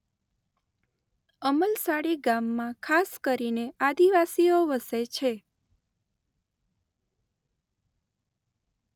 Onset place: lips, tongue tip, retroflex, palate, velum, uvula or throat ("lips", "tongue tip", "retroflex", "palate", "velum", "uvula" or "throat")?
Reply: lips